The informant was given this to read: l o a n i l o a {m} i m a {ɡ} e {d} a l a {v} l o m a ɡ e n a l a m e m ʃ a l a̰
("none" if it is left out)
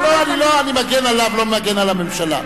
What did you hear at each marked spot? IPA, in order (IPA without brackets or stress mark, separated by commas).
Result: n, ɡ, n, v